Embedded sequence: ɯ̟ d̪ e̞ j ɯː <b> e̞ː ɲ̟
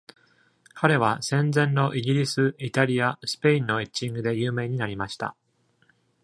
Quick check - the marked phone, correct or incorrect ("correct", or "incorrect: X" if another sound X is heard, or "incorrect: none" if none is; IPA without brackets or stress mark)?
incorrect: m